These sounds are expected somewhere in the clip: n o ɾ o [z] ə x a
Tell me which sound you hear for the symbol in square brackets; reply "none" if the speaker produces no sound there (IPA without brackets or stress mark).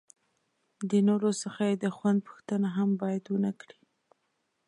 s